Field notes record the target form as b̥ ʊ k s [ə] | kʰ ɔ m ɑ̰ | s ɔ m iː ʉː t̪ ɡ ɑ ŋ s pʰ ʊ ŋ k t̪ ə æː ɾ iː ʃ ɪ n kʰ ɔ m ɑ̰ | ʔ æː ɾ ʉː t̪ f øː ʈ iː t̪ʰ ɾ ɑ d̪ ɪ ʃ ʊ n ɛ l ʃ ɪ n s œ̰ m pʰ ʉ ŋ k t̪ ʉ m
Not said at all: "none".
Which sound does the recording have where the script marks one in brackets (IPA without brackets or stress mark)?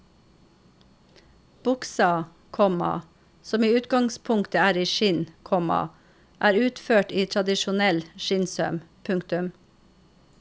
ɑ